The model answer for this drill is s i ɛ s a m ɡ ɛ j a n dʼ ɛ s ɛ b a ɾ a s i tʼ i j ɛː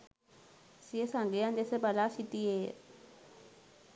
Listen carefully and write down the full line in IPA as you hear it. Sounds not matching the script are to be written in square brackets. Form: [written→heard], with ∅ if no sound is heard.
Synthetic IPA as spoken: s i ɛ s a [m→ŋ] ɡ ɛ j a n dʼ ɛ s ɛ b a [ɾ→l] a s i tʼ i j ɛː